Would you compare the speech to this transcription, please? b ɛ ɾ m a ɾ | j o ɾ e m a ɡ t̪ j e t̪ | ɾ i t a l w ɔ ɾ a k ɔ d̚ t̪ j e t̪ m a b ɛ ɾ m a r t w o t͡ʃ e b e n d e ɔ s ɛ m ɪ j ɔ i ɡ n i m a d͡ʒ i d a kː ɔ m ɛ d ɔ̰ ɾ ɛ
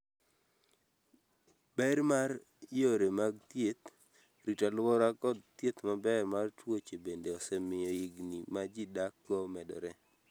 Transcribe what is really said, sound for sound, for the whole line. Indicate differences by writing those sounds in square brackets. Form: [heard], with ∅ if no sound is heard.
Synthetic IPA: b ɛ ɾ m a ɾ | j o ɾ e m a ɡ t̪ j e t̪ | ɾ i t a l w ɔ ɾ a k ɔ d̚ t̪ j e t̪ m a b ɛ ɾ m a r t w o t͡ʃ e b e n d e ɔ s ɛ m ɪ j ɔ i ɡ n i m a d͡ʒ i d a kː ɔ m ɛ d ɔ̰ ɾ ɛ